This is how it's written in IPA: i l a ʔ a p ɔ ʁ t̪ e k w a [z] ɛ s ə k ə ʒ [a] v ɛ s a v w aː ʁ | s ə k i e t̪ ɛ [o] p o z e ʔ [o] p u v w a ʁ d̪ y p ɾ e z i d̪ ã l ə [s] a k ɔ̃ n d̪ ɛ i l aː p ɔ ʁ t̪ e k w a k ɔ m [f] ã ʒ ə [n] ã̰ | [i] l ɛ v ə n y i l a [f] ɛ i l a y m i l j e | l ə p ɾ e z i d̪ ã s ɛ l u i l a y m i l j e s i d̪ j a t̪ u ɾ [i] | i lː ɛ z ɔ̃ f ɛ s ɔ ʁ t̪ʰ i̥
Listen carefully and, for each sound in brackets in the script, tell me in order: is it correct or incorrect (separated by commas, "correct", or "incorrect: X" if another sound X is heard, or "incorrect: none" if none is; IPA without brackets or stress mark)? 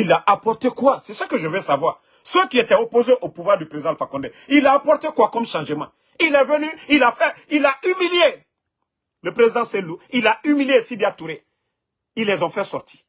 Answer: incorrect: s, incorrect: ə, correct, correct, incorrect: f, incorrect: ʃ, incorrect: m, correct, correct, incorrect: e